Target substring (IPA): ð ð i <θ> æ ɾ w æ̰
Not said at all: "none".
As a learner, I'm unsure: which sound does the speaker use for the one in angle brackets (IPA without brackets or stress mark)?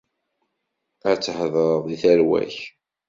θ